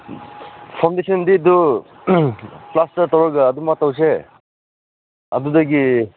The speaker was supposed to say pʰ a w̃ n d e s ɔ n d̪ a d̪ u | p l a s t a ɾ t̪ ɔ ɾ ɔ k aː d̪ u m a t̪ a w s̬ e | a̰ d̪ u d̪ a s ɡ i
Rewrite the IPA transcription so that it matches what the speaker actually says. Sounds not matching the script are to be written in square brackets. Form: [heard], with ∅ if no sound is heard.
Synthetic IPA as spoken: pʰ a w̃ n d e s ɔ n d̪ [i] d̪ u | p l a s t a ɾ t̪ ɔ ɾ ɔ [ɡ] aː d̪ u m a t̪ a w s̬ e | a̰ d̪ u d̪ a [∅] ɡ i

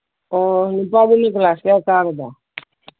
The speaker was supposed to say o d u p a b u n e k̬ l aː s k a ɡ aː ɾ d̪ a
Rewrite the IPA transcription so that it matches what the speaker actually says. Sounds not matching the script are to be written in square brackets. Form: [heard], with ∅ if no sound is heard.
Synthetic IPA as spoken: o [n] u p a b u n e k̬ l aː s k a [k] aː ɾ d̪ a

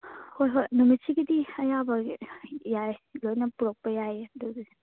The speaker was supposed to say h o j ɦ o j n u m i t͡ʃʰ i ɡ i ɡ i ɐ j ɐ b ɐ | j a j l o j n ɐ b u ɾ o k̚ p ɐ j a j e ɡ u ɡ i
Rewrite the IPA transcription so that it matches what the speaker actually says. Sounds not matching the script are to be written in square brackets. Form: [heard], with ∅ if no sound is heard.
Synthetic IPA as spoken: h o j ɦ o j n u m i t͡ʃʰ i ɡ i [d] i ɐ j [a] b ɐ | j a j l o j n ɐ [p] u ɾ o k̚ p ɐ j a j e [d] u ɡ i

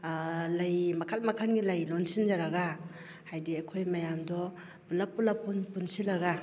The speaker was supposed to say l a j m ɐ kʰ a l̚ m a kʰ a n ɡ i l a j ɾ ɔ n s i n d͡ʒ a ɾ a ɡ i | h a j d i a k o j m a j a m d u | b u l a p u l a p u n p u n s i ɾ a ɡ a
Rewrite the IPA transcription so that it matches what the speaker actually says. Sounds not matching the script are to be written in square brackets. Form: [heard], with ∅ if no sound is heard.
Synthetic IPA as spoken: l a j m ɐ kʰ a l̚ m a kʰ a n ɡ i l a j [l] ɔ n s i n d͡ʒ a ɾ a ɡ [a] | h a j d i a [kʰ] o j m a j a m d [ɔ] | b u l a p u l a p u n p u n s i [l] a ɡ a

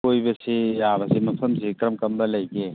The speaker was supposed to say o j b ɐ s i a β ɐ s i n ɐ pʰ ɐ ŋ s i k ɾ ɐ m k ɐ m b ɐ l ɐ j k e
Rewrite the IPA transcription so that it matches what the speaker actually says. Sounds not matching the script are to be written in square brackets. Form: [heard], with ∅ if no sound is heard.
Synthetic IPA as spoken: o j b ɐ s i a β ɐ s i [m] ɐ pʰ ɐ [m] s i k ɾ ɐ m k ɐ m b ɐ l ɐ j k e

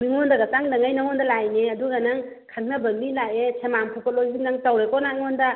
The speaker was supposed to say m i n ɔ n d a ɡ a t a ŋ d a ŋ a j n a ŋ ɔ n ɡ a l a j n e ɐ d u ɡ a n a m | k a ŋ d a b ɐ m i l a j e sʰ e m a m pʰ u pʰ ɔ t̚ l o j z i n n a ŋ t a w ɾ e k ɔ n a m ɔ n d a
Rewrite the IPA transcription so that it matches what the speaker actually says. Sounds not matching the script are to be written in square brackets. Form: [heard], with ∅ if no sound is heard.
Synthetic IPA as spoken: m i [ŋ] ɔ n d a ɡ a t a ŋ d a ŋ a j n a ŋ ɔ n [d] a l a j n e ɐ d u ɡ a n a [ŋ] | [kʰ] a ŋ [n] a b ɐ m i l a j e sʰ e m a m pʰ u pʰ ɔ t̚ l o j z i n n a ŋ t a w ɾ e k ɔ n a [ŋ] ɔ n d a

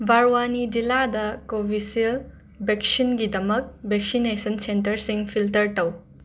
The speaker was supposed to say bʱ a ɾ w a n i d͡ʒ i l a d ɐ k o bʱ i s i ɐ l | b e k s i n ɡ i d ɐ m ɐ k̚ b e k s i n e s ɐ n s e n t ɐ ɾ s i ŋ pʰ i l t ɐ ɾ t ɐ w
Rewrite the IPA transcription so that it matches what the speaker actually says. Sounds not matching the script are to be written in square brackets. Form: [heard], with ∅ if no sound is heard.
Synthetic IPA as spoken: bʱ a ɾ w a n i d͡ʒ i l a d ɐ k o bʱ i s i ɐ l | b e k s i n ɡ i d ɐ m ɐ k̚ b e k s i n e s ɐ n s e n t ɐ ɾ s i ŋ pʰ i l t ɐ ɾ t ɐ w

